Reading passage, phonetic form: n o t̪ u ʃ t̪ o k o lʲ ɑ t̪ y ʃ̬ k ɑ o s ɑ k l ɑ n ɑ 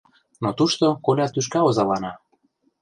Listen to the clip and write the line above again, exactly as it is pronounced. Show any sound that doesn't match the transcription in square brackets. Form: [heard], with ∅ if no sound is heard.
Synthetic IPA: n o t̪ u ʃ t̪ o k o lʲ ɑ t̪ y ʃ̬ k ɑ o [z] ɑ [∅] l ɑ n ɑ